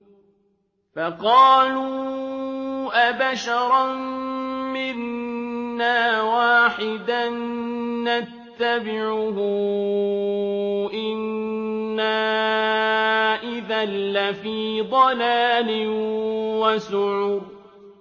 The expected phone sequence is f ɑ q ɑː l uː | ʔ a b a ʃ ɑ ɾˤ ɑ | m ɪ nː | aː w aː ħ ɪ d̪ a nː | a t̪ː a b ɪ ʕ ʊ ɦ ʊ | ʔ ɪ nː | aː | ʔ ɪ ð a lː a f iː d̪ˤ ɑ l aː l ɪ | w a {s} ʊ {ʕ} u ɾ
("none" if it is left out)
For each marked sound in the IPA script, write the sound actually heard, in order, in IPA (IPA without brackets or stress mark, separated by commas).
s, ʕ